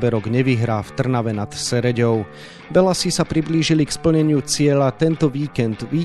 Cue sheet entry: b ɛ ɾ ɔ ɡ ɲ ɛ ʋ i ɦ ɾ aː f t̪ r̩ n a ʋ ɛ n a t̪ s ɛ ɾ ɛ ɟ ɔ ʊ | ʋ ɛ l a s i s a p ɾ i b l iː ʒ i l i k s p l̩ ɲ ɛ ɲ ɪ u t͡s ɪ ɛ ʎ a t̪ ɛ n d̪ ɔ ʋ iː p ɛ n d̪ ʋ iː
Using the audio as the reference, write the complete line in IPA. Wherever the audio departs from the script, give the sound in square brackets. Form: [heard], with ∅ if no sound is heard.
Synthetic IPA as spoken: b ɛ ɾ ɔ ɡ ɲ ɛ ʋ i ɦ ɾ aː f t̪ r̩ n a ʋ ɛ n a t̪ s ɛ ɾ ɛ ɟ ɔ ʊ | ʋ ɛ l a s i s a p ɾ i b l iː ʒ i l i k s p l̩ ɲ ɛ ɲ ɪ u t͡s ɪ ɛ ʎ a t̪ ɛ n [t̪] ɔ ʋ iː [k] ɛ n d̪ ʋ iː